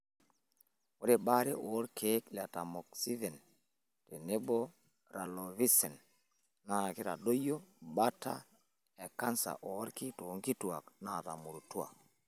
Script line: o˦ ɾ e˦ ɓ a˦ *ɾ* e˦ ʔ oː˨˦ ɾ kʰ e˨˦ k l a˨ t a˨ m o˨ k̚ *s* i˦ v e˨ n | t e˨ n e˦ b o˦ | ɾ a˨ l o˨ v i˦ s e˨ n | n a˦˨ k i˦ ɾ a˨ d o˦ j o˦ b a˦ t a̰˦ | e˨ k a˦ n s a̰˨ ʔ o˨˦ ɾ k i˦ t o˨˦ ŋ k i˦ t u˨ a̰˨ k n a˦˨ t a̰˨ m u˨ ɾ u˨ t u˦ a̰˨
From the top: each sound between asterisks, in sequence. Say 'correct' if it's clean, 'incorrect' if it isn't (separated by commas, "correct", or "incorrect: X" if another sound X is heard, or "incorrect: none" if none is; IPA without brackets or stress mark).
correct, correct